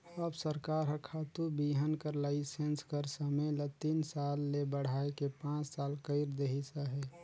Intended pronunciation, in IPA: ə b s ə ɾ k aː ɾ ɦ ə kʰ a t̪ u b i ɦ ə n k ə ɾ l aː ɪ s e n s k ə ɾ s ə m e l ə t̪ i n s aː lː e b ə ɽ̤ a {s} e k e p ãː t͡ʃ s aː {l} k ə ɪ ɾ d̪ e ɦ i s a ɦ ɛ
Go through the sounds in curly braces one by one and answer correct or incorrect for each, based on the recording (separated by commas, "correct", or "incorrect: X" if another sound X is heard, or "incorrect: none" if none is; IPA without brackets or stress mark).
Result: incorrect: none, correct